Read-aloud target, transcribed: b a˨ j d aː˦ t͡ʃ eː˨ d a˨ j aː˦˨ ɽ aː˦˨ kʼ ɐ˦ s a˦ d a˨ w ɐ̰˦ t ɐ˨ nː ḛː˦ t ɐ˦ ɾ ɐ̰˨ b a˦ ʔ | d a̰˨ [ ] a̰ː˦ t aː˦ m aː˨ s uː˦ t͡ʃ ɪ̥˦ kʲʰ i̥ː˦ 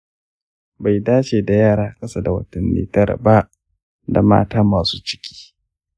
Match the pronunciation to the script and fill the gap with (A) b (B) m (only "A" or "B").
B